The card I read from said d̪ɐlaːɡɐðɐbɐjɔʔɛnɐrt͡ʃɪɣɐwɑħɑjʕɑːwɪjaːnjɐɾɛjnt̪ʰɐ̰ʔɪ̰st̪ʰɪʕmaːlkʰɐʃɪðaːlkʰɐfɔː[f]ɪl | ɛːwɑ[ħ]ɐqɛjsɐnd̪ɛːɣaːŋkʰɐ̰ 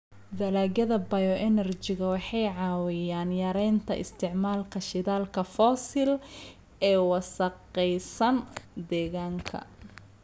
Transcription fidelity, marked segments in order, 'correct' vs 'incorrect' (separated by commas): incorrect, incorrect